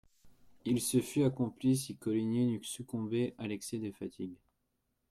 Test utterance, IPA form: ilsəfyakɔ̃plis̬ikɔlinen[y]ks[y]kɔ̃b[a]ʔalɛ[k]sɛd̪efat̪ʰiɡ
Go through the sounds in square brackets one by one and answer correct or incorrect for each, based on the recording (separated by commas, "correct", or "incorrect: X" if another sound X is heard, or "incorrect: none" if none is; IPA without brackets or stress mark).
correct, correct, incorrect: e, correct